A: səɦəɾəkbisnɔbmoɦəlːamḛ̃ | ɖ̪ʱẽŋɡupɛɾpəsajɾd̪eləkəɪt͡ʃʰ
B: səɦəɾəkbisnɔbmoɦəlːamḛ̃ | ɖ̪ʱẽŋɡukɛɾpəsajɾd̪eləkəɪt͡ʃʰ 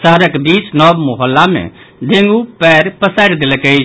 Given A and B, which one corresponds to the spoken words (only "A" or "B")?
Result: A